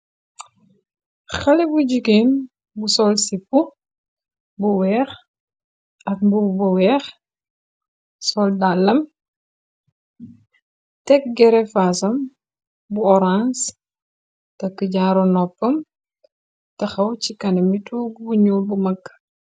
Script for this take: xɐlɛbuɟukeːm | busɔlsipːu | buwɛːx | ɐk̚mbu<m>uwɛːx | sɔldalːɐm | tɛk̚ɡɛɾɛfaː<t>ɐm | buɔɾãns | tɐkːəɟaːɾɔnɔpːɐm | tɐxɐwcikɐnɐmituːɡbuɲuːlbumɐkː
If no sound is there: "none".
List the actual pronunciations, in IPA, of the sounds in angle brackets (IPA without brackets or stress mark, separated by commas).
b, s